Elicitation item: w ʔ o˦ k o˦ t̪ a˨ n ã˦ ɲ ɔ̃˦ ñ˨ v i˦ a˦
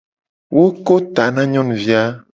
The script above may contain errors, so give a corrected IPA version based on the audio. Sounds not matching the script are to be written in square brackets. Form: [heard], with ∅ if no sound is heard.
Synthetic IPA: w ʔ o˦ k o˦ t̪ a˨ n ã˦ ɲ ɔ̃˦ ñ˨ v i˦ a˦